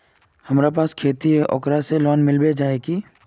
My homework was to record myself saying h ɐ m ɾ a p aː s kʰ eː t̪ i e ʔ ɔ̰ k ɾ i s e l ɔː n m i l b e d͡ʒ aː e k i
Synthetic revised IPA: h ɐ m ɾ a p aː s kʰ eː t̪ i e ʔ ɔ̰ k ɾ a s e l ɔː n m ɪ l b e d͡ʒ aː e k i